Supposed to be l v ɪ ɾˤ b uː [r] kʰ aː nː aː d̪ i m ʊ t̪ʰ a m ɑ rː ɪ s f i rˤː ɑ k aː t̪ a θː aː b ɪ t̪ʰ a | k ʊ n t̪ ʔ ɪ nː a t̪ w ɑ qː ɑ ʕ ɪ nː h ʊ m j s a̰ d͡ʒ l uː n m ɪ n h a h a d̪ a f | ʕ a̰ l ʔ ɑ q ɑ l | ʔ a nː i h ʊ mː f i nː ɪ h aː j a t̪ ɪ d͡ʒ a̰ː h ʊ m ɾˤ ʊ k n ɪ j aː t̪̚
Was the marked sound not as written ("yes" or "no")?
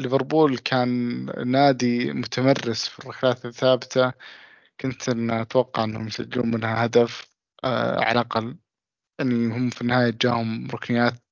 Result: yes